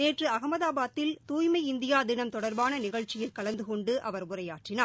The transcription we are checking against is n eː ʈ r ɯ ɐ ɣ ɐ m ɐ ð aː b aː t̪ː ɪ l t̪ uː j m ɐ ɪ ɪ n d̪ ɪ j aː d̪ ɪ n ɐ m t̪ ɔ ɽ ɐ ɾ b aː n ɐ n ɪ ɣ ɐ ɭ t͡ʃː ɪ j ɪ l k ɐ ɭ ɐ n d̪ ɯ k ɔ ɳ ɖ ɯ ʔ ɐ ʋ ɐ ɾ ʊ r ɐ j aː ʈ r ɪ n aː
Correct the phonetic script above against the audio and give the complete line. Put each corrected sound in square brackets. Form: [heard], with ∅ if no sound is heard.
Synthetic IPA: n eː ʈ r ɯ ɐ ɣ ɐ m ɐ ð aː b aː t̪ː ɪ l t̪ uː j m ɐ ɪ ɪ n d̪ ɪ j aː d̪ ɪ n ɐ m t̪ ɔ ɽ ɐ ɾ b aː n ɐ n ɪ ɣ ɐ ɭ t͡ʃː ɪ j ɪ l k ɐ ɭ ɐ n d̪ ɯ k ɔ ɳ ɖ ɯ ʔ ɐ ʋ ɐ ɾ ʊ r ɐ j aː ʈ r ɪ n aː